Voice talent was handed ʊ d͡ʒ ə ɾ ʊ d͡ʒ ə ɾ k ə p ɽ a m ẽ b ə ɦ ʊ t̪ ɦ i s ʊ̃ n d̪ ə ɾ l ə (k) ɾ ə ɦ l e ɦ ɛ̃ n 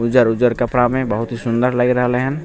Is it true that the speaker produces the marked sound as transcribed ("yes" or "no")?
no